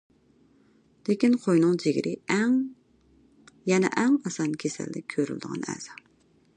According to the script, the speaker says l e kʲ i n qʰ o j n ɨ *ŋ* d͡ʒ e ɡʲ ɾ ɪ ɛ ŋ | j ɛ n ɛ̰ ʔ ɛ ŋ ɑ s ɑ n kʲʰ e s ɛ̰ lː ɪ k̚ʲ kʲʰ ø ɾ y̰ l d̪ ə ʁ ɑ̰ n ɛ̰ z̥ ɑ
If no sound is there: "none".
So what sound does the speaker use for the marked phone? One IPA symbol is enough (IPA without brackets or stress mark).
ŋ